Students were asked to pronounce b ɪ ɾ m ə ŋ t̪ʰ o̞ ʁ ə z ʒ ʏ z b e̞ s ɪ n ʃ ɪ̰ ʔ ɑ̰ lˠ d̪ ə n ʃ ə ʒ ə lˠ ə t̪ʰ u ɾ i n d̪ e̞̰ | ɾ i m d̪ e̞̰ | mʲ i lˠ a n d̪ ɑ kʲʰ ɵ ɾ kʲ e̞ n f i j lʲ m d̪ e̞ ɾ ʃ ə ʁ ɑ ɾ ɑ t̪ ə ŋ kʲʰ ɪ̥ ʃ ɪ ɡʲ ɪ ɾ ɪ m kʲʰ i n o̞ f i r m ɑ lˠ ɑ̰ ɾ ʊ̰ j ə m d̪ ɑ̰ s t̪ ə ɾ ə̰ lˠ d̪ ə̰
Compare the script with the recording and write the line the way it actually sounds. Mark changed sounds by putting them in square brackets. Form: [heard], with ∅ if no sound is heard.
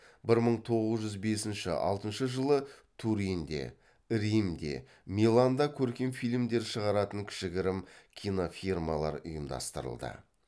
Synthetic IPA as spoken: b ɪ ɾ m ə [ɴ] t̪ʰ o̞ ʁ ə z ʒ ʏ z b e̞ s ɪ n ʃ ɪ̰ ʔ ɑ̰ lˠ [t̪] ə n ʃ ə ʒ ə lˠ ə t̪ʰ u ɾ i n d̪ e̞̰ | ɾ i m d̪ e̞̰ | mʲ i lˠ a n d̪ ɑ kʲʰ ɵ ɾ kʲ e̞ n f i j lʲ m d̪ e̞ ɾ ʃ ə ʁ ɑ ɾ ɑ t̪ ə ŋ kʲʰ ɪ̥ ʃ ɪ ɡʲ ɪ ɾ ɪ m kʲʰ i n o̞ f i r m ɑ lˠ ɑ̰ ɾ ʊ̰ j ə m d̪ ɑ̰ s t̪ ə ɾ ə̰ lˠ d̪ ə̰

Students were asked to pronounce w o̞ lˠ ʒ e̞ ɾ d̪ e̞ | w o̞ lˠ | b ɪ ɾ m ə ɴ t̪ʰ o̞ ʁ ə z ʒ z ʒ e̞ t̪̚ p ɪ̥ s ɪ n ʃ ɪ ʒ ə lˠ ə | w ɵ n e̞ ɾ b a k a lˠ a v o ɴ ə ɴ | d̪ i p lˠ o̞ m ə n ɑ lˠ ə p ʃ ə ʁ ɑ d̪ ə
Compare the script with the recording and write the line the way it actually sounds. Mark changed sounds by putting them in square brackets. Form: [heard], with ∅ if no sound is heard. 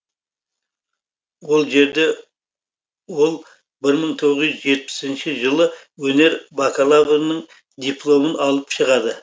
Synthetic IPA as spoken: w o̞ lˠ ʒ e̞ ɾ d̪ e̞ | w o̞ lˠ | b ɪ ɾ m ə ɴ t̪ʰ o̞ ʁ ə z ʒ z ʒ e̞ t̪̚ p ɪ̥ s ɪ n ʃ ɪ ʒ ə lˠ ə | w ɵ n e̞ ɾ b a k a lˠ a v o [n] ə ɴ | d̪ i p lˠ o̞ m ə n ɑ lˠ ə p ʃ ə ʁ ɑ d̪ ə

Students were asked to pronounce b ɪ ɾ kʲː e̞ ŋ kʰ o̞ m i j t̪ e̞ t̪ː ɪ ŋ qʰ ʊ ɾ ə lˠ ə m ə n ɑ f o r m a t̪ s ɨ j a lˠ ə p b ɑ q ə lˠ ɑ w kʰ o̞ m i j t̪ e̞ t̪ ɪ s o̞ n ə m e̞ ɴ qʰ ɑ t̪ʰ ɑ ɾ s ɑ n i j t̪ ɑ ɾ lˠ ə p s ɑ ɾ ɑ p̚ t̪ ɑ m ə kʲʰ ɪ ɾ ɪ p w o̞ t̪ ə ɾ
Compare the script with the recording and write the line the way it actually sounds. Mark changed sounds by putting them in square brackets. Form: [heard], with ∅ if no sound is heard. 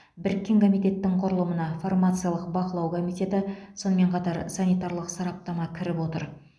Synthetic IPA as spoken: b ɪ ɾ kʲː e̞ ŋ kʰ o̞ m i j t̪ e̞ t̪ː ɪ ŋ qʰ ʊ ɾ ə lˠ ə m ə n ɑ f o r m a t̪ s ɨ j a lˠ ə [q] b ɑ q ə lˠ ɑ w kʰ o̞ m i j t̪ e̞ t̪ ɪ s o̞ n ə m e̞ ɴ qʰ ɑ [t̪] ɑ ɾ s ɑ n i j t̪ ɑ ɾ lˠ ə [q] s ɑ ɾ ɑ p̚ t̪ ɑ m [ɑ] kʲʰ ɪ ɾ ɪ p w o̞ t̪ ə ɾ

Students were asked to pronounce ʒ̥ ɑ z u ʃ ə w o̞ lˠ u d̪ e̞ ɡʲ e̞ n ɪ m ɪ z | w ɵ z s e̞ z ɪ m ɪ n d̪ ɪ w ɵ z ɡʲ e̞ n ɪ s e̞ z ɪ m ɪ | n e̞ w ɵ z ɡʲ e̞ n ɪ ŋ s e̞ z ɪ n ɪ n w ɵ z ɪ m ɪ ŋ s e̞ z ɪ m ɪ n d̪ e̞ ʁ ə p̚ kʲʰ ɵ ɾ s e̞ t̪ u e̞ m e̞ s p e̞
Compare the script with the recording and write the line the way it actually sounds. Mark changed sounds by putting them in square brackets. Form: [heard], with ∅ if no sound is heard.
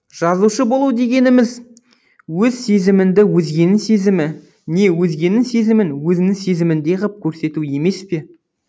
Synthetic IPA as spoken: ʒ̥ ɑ z u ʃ ə [b] o̞ lˠ u d̪ e̞ ɡʲ e̞ n ɪ m ɪ z | w ɵ z s e̞ z ɪ m ɪ n d̪ ɪ w ɵ z ɡʲ e̞ n ɪ s e̞ z ɪ m ɪ | n e̞ w ɵ z ɡʲ e̞ n ɪ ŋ s e̞ z ɪ [m] ɪ n w ɵ z ɪ [n] ɪ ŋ s e̞ z ɪ m ɪ n d̪ e̞ ʁ ə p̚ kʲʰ ɵ ɾ s e̞ t̪ u e̞ m e̞ s p e̞

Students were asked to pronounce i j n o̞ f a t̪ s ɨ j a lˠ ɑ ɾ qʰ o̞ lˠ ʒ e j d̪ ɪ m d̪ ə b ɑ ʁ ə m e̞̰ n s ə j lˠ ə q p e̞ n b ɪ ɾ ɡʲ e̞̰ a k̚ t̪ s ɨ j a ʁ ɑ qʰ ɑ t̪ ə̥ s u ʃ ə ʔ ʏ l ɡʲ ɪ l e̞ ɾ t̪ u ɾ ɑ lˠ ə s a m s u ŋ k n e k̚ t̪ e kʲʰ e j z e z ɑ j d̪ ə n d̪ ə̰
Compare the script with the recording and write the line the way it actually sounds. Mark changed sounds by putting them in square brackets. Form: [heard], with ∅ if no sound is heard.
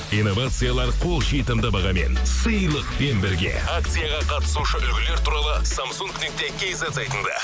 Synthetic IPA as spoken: i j n o̞ [v] a t̪ s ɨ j a lˠ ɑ ɾ qʰ o̞ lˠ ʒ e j [t̪] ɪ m d̪ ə b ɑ ʁ [ɑ] m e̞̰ n s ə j lˠ ə q p e̞ n b ɪ ɾ ɡʲ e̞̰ a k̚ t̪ s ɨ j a ʁ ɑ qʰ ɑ t̪ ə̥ s u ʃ ə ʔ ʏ l ɡʲ ɪ l e̞ ɾ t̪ u ɾ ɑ lˠ ə s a m s u ŋ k n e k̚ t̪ e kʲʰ e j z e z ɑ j [t̪] ə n d̪ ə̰

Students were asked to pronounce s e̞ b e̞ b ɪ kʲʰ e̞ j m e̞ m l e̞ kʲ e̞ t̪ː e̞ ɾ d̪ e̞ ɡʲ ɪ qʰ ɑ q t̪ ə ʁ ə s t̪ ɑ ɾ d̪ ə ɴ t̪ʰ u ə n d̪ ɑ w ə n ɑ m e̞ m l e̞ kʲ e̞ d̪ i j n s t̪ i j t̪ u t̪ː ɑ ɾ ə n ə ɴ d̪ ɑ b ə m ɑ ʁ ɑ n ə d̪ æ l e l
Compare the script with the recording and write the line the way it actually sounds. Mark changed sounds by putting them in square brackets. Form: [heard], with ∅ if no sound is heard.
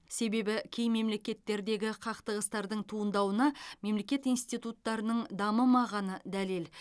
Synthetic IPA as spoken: s e̞ b e̞ b ɪ kʲʰ e̞ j m e̞ m l e̞ kʲ e̞ t̪ː e̞ ɾ d̪ e̞ ɡʲ ɪ qʰ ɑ q t̪ ə ʁ ə s t̪ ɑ ɾ d̪ ə ɴ t̪ʰ u ə n d̪ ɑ w ə n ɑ m e̞ m l e̞ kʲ e̞ [t̪] i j n s t̪ i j t̪ u t̪ː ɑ ɾ ə n ə ɴ d̪ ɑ [m] ə m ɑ ʁ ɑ n ə d̪ æ l e l

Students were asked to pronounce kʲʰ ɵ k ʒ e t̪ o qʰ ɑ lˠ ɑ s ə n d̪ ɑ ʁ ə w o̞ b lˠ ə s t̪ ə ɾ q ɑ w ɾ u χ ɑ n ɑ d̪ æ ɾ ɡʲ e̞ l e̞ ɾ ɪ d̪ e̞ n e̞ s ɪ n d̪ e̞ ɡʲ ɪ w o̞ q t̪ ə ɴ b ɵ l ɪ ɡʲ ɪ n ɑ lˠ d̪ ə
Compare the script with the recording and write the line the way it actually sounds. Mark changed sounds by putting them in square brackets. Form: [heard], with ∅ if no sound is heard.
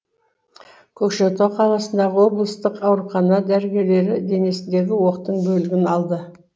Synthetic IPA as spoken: kʲʰ ɵ k [ʃ] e t̪ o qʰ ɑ lˠ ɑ s ə n d̪ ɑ ʁ ə w o̞ b lˠ ə s t̪ ə [∅] q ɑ w ɾ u χ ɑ n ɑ d̪ æ ɾ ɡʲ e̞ l e̞ ɾ ɪ d̪ e̞ n e̞ s ɪ n d̪ e̞ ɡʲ ɪ w o̞ q t̪ ə ɴ b ɵ l ɪ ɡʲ ɪ n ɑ lˠ d̪ ə

